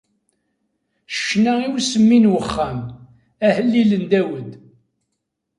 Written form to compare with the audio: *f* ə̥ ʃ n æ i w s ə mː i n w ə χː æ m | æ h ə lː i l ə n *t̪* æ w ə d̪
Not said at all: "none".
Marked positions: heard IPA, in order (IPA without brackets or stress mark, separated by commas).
ʃ, d̪